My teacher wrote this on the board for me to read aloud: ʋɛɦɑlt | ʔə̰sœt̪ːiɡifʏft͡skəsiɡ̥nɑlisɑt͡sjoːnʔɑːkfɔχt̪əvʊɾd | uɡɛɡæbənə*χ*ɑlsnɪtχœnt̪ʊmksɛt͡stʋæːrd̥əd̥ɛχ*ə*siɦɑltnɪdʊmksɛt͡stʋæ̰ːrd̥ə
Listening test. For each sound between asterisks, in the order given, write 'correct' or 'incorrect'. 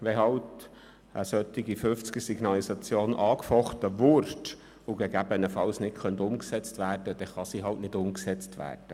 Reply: incorrect: f, incorrect: ɑ

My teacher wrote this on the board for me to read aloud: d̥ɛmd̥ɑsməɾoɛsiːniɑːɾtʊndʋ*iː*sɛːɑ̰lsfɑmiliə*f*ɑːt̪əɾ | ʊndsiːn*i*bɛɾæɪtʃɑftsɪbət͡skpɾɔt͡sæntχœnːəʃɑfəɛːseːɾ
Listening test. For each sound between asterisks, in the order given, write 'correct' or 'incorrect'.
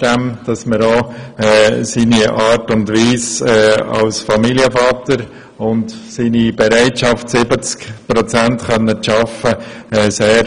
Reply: correct, correct, correct

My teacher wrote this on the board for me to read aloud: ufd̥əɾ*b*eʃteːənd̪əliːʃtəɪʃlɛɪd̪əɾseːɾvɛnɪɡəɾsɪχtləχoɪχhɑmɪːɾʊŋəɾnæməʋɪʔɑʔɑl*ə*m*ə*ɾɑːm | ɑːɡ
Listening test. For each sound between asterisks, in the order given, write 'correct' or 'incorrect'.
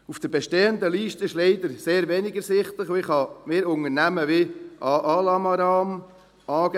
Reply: correct, incorrect: ɑ, incorrect: ɑ

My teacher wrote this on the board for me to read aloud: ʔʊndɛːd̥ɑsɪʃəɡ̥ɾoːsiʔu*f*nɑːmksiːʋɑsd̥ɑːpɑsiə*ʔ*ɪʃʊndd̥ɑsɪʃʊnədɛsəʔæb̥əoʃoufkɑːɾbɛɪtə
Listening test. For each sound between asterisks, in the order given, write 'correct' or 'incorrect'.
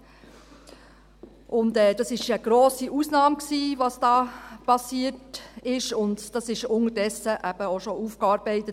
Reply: incorrect: s, incorrect: t

